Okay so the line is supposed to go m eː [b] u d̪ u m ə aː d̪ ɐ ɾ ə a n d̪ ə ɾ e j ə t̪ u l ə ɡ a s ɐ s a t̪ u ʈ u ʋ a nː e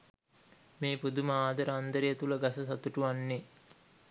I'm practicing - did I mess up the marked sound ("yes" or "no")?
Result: yes